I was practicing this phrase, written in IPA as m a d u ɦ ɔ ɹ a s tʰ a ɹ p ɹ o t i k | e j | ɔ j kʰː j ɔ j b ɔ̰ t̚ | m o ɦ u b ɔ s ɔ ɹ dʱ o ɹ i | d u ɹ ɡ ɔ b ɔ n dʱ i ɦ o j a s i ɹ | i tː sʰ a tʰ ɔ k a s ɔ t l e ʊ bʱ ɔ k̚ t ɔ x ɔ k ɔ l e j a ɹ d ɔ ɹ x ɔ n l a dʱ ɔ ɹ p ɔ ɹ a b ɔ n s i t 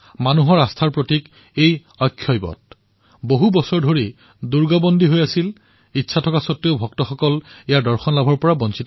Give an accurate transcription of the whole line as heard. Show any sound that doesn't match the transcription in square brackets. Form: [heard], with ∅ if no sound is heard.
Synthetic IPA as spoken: m a [n] u ɦ ɔ ɹ a s tʰ a ɹ p ɹ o t i k | e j | ɔ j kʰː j ɔ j b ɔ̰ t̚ | [b] o ɦ u b ɔ s ɔ ɹ dʱ o ɹ i | d u ɹ ɡ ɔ b ɔ n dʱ i ɦ o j a s i [l] | i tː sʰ a tʰ ɔ k a s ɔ t [ɹ] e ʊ bʱ ɔ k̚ t ɔ x ɔ k ɔ l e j a ɹ d ɔ ɹ x ɔ n l a [bʱ] ɔ ɹ p ɔ ɹ a b ɔ n s i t